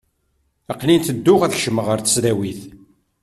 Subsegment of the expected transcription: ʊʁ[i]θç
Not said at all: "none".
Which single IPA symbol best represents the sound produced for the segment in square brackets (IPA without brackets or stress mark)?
æ